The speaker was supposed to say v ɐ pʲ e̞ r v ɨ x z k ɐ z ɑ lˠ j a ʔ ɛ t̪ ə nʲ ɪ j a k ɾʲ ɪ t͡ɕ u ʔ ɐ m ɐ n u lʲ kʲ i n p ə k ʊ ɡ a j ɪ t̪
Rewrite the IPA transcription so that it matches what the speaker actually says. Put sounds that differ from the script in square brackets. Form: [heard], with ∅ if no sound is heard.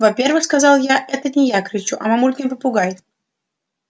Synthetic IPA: v ɐ pʲ e̞ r v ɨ x [s] k ɐ z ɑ lˠ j a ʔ ɛ t̪ ə nʲ ɪ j a k ɾʲ ɪ t͡ɕ u ʔ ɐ m ɐ [m] u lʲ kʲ [ɪ] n p ə [p] ʊ ɡ a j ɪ t̪